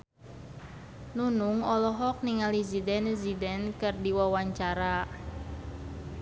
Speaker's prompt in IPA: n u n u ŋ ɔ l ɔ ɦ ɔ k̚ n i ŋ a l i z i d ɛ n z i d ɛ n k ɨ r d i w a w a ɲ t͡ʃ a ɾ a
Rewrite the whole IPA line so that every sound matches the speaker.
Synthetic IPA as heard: n u n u ŋ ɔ l ɔ ɦ ɔ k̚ n i ŋ a l i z i d ɛ n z i d ɛ n k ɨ r d i w a w a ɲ t͡ʃ a ɾ a